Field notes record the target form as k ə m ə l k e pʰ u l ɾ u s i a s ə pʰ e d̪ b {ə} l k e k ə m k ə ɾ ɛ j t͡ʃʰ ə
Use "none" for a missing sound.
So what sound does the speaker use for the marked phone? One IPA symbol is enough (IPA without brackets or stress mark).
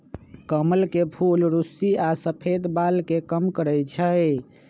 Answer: a